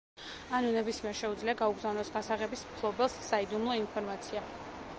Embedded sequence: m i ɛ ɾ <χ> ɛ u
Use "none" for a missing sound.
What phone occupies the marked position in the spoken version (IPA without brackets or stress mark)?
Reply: ʃ